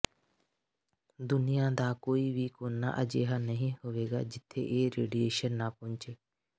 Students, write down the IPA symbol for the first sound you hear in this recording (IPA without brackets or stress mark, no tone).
d̪